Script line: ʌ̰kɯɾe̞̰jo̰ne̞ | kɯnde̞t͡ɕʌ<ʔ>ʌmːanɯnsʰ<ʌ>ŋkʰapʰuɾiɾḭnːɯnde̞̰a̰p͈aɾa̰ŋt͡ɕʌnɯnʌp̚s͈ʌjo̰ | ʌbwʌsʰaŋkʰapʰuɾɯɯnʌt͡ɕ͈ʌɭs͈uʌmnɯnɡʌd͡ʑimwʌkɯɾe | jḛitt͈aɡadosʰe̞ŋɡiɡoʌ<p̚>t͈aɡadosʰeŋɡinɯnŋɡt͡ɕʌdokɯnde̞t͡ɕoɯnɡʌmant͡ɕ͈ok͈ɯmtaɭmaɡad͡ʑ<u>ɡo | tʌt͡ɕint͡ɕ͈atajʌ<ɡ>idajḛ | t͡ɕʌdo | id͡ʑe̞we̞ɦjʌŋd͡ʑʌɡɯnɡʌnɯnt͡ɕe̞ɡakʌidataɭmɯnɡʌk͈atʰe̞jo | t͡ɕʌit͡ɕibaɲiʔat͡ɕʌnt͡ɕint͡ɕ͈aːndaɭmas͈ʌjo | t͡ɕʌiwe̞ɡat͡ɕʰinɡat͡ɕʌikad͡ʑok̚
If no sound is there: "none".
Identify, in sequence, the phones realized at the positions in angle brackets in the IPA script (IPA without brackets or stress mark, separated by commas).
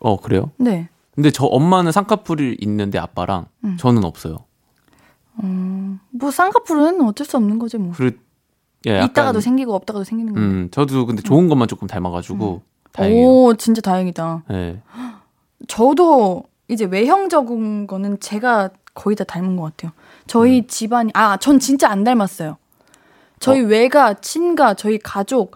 ʔ, a, p̚, u, ŋ